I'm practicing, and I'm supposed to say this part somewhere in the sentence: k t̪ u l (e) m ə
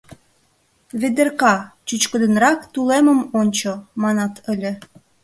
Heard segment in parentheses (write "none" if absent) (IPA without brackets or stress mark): e